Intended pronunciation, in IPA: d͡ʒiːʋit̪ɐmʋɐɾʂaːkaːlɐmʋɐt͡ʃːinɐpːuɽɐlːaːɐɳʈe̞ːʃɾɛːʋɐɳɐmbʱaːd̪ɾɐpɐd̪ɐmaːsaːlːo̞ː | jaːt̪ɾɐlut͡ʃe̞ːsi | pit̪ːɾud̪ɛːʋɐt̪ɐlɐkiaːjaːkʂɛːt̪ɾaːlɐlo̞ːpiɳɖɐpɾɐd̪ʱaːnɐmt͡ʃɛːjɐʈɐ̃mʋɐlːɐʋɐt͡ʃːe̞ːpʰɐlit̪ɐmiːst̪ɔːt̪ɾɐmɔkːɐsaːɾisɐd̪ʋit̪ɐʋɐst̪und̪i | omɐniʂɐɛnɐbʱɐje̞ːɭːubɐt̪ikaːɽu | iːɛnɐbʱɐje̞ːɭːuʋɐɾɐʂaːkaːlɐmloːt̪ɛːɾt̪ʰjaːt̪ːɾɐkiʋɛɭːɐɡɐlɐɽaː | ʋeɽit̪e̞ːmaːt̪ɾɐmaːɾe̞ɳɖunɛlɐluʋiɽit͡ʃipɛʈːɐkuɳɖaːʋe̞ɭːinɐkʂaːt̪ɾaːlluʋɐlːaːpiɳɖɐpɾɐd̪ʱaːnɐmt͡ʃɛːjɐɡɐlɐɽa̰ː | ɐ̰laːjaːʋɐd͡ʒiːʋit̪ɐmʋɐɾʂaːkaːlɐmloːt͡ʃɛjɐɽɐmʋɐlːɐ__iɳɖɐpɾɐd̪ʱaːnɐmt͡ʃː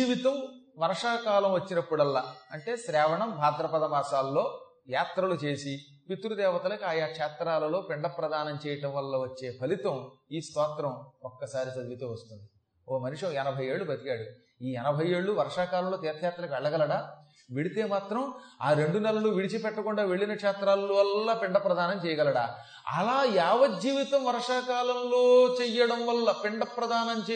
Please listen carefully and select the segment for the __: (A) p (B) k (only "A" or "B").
A